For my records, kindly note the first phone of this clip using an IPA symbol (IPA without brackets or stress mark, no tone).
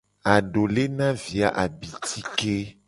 a